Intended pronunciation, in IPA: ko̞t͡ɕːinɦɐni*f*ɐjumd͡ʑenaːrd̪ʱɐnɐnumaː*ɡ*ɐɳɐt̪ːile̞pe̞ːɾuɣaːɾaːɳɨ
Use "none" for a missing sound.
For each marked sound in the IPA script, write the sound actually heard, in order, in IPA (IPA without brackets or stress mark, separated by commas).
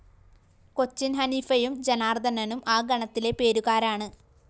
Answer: f, ɡ